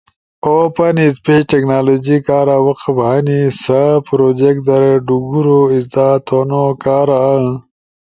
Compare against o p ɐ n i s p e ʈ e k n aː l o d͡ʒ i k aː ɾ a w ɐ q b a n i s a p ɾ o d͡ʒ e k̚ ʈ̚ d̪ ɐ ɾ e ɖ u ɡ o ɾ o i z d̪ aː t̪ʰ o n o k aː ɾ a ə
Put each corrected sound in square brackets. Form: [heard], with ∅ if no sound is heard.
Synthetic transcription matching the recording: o p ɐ n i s p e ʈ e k n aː l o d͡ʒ i k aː ɾ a w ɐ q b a n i s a p ɾ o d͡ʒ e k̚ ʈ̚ d̪ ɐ ɾ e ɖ u ɡ [u] ɾ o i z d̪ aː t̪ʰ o n o k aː ɾ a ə